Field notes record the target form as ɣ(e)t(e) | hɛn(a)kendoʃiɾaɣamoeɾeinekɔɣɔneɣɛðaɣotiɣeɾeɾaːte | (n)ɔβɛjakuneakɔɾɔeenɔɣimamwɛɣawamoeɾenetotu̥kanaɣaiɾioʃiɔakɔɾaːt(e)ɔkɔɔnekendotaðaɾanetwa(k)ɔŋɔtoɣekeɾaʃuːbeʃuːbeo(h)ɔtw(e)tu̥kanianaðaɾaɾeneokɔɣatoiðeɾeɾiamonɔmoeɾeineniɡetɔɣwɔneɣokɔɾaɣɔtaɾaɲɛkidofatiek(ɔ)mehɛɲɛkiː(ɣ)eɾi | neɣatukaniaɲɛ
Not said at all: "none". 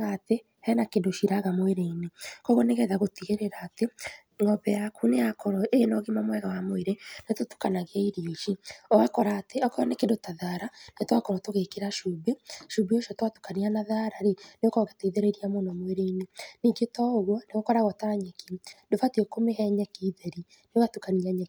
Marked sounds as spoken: a, e, a, ŋ, e, k, ʃ, a, o, ð

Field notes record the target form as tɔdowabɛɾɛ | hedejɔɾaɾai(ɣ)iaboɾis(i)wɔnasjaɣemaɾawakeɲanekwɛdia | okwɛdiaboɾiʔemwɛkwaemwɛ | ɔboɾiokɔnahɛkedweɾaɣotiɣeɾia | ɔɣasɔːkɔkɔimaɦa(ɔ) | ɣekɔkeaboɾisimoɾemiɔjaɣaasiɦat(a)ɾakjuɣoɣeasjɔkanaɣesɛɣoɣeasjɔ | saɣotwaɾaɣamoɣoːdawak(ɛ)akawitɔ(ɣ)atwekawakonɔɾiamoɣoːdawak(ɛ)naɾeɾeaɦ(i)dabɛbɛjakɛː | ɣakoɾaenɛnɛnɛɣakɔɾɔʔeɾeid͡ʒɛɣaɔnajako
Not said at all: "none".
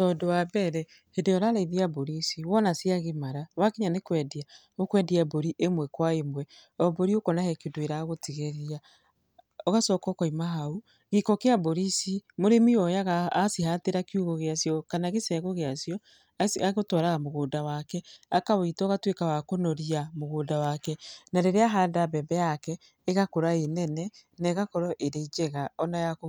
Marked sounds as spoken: ð, i, u, e, ɛ, ɣ, ɛ, a

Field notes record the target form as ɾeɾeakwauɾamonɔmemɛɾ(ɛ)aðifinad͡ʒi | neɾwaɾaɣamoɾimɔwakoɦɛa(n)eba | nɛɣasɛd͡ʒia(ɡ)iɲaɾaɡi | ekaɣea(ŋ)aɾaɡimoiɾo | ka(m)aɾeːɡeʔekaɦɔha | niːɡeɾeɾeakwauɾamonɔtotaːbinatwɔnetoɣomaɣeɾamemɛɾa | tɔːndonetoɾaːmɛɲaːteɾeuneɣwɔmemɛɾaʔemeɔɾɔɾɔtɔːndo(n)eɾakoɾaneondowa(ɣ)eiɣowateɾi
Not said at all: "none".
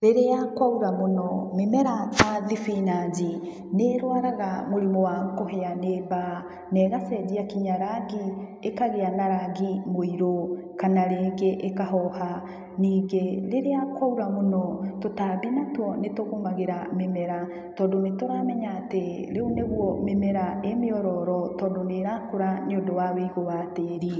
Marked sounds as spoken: a, n, k, n, n, n, w

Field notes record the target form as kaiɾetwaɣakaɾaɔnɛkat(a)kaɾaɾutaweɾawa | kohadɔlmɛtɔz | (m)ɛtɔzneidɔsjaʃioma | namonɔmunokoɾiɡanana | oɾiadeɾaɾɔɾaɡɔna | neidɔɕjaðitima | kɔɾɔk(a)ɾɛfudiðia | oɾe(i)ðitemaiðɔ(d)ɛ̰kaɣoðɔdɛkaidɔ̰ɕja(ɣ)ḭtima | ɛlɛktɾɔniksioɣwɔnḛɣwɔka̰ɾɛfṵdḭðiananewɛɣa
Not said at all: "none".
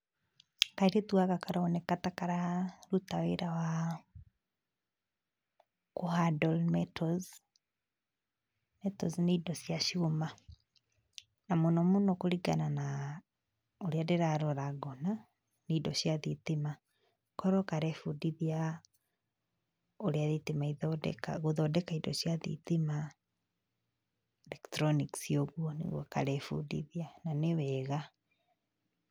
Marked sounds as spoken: a, m, a, a, d, ð

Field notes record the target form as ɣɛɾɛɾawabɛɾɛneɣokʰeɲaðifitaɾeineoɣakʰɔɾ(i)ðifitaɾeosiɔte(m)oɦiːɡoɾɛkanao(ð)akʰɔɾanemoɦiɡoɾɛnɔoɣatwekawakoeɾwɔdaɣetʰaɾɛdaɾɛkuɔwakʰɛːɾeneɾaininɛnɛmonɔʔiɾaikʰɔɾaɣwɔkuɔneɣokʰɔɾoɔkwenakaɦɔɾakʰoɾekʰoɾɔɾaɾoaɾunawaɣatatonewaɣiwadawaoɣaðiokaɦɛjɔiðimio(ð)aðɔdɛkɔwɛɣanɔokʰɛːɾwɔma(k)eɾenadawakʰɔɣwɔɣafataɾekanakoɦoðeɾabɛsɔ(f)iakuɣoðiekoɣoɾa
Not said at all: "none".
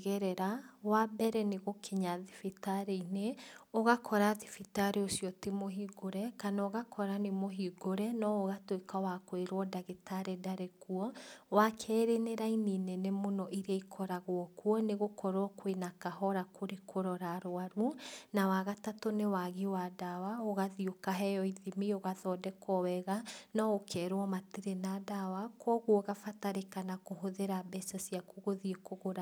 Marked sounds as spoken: a, m, ɣ, ɣ, t, s

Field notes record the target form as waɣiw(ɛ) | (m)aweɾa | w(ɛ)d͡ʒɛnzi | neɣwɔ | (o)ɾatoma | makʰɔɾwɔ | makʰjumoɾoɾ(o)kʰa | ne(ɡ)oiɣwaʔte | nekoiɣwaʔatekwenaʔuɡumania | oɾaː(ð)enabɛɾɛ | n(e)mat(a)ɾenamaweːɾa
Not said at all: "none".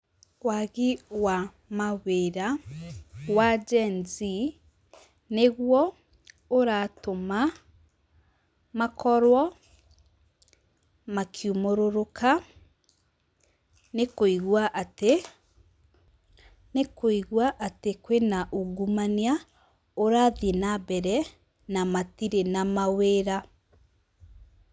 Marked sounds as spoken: a, m, a, o, o, k, ð, a, i

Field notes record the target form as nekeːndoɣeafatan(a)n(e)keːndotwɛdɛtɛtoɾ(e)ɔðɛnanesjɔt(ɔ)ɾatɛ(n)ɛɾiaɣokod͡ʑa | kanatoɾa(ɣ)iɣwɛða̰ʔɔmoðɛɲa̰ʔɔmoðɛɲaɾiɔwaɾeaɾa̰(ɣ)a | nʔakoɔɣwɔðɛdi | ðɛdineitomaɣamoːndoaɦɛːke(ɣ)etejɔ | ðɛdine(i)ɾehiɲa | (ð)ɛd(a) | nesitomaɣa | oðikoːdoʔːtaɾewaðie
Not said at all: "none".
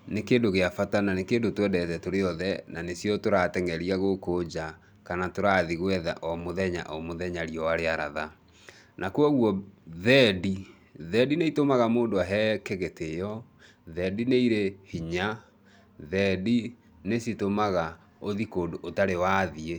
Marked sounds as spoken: a, e, e, o, ŋ, ð, ð, ɣ, i, ð, i

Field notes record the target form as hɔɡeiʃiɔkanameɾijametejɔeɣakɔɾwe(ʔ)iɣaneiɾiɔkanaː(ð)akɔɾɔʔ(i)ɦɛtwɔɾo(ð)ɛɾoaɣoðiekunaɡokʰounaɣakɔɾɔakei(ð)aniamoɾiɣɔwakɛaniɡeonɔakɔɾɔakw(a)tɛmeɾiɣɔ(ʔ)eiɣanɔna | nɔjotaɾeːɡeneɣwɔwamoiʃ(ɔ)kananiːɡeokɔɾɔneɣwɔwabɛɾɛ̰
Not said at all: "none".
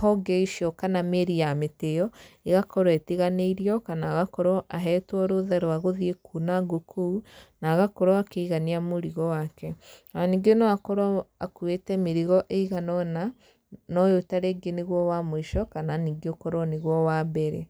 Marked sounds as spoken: t, ɣ, a, ð, ɣ, e, ʔ, ɔ

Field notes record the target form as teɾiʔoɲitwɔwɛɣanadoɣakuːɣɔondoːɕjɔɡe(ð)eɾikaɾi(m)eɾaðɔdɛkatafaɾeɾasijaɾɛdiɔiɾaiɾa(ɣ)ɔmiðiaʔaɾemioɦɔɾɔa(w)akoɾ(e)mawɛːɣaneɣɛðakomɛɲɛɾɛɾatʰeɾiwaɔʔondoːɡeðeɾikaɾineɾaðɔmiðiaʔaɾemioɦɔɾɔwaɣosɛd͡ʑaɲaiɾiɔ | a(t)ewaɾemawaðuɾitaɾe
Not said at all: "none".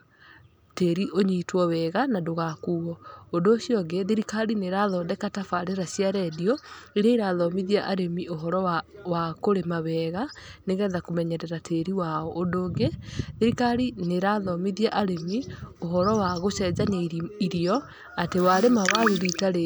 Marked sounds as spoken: ð, n, ð, w, e, t

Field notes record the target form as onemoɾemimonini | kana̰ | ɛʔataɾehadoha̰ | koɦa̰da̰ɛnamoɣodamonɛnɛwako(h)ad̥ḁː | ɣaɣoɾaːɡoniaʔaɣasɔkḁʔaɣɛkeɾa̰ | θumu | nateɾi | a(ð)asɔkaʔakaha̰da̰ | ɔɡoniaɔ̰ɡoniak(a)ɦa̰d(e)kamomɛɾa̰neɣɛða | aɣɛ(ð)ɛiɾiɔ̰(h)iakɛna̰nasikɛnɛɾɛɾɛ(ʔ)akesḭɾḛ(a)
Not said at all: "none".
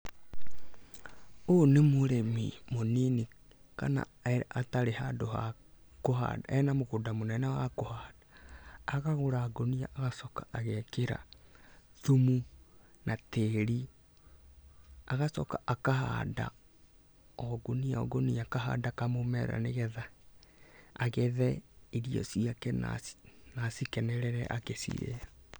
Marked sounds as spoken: h, ɣ, a, a, ð, s, ʔ, a

